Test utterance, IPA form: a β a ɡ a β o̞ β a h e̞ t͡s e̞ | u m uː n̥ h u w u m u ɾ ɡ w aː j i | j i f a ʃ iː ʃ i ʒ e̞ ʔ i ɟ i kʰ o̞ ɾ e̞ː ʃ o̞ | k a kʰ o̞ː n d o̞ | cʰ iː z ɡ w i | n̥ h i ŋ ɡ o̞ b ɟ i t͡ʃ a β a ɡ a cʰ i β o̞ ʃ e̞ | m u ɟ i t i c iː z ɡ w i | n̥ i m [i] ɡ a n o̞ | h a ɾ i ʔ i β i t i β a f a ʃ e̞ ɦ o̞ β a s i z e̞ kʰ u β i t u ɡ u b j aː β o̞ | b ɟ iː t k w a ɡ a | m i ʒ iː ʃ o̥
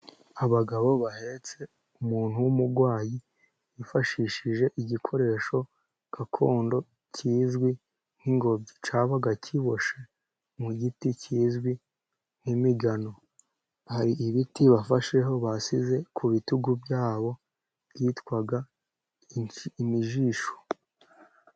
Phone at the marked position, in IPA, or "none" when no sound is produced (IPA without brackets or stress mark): i